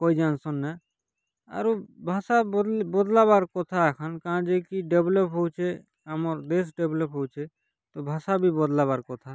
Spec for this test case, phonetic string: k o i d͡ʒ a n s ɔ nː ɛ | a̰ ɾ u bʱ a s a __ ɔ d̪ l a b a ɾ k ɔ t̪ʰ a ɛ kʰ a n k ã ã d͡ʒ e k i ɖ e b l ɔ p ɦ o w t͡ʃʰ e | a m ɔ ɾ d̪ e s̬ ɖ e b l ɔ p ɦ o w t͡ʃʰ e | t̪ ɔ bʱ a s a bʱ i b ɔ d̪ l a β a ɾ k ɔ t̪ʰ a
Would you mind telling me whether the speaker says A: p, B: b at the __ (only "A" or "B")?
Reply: B